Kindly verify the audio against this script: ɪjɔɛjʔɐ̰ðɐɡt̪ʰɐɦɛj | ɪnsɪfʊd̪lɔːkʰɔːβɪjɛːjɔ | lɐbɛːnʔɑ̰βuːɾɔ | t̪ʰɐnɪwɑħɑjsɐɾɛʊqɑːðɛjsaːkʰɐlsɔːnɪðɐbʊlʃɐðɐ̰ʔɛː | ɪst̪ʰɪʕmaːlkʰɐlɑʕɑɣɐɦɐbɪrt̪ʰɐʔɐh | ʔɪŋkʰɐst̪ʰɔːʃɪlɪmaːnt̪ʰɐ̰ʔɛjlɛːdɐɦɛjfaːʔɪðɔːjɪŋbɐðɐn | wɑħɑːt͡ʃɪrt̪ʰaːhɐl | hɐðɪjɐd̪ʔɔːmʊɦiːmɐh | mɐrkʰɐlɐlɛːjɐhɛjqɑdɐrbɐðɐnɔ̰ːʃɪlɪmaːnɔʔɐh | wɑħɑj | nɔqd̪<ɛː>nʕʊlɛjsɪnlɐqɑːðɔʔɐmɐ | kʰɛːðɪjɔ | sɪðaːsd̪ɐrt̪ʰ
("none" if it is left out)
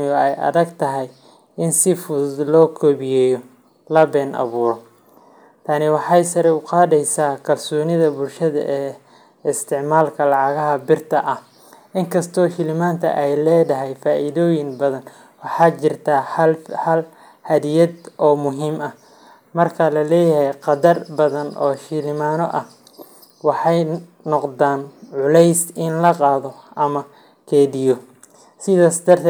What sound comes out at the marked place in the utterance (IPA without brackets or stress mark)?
aː